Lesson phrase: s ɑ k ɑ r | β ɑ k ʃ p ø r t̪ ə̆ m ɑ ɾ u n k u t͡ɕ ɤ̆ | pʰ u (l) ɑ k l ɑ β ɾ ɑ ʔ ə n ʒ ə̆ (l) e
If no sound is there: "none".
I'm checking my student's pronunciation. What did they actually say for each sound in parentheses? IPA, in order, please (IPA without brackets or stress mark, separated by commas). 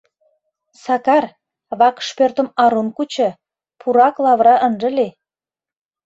ɾ, l